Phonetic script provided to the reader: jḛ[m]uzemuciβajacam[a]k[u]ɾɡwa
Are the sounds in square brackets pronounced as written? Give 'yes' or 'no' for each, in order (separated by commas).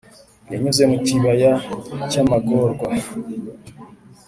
no, yes, no